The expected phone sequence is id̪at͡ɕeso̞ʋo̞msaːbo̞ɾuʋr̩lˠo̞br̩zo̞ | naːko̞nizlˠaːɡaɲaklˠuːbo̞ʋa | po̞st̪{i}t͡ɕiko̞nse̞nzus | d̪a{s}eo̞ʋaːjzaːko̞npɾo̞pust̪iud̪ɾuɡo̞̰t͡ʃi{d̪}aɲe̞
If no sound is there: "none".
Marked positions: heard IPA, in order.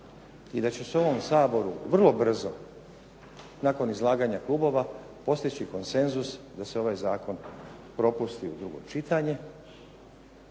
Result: i, s, t̪

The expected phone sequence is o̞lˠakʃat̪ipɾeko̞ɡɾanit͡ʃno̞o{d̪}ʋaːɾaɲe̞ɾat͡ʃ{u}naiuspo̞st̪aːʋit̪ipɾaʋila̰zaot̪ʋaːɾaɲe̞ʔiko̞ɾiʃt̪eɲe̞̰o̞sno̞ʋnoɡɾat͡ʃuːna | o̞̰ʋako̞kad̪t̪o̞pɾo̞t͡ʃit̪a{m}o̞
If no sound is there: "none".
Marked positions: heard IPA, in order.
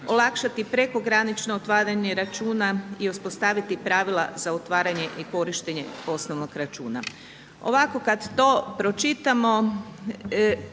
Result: t̪, uː, m

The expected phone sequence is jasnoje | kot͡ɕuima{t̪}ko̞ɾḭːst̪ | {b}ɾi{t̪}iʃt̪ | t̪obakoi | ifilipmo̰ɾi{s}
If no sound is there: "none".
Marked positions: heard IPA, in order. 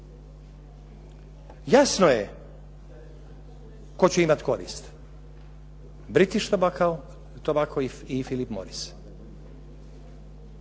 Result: t̪, b, t̪, s

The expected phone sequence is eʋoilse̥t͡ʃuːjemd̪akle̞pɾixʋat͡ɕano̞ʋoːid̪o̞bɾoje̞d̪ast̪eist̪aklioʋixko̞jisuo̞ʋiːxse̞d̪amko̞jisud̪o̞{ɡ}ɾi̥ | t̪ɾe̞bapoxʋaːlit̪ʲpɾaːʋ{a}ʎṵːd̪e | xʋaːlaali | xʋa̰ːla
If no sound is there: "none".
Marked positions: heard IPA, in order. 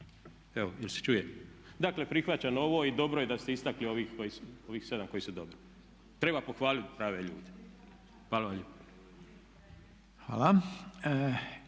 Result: b, e

